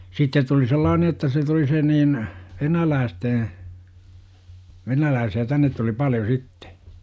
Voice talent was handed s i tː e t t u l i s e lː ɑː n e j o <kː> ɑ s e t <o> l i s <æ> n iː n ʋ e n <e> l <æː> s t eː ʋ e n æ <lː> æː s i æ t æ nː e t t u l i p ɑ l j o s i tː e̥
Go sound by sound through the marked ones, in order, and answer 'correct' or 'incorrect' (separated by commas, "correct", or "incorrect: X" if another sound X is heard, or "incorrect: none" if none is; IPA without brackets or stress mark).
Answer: incorrect: tː, incorrect: u, incorrect: e, incorrect: æ, correct, incorrect: l